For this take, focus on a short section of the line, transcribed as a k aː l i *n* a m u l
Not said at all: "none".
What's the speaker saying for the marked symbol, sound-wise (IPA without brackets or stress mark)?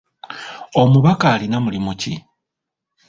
n